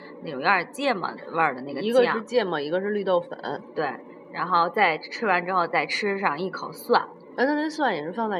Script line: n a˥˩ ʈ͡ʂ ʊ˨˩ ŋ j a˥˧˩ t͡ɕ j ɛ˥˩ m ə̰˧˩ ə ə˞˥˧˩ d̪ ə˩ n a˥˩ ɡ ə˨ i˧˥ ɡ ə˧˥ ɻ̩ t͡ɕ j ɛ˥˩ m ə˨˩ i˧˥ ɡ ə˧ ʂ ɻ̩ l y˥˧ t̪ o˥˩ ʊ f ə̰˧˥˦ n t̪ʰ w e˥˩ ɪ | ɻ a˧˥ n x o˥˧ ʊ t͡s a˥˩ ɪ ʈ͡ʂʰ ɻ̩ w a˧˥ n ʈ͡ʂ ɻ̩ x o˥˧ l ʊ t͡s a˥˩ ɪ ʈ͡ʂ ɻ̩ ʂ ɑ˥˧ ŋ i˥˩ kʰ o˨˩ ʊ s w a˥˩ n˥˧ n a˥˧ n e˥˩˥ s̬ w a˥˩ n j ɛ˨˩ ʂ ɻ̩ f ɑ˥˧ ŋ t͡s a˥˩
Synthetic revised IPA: n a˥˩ ʈ͡ʂ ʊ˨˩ ŋ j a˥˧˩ t͡ɕ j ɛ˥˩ m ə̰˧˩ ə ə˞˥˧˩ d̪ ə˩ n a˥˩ ɡ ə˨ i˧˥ ɡ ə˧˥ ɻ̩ t͡ɕ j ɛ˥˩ m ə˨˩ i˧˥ ɡ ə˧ ʂ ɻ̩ l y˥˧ t̪ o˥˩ ʊ f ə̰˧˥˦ n t̪ w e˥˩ ɪ | ɻ a˧˥ n x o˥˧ ʊ t͡s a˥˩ ɪ ʈ͡ʂʰ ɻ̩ w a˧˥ n ʈ͡ʂ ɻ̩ x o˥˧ ʊ t͡s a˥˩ ɪ ʈ͡ʂʰ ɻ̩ ʂ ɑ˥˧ ŋ i˥˩ kʰ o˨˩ ʊ s w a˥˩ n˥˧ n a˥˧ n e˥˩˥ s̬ w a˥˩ n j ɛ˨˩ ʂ ɻ̩ f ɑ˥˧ ŋ t͡s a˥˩